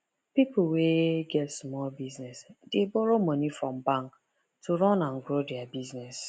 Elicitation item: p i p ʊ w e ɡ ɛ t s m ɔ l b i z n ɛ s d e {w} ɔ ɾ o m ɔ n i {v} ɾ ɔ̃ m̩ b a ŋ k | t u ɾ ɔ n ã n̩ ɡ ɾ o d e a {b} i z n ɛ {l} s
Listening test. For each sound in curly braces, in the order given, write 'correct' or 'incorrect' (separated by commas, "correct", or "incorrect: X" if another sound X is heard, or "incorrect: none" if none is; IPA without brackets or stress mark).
incorrect: b, incorrect: f, correct, incorrect: none